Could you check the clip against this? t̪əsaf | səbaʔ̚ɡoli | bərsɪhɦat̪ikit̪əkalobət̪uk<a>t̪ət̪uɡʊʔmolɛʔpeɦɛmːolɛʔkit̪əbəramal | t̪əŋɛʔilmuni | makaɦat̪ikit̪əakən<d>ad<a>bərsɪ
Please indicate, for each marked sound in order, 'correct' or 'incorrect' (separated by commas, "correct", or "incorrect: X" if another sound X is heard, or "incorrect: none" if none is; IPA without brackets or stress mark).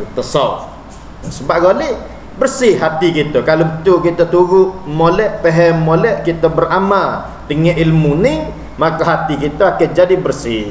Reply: incorrect: i, incorrect: d͡ʒ, incorrect: i